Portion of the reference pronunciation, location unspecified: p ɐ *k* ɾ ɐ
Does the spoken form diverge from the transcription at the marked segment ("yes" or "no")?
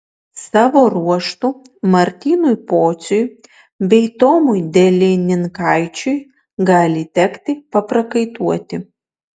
yes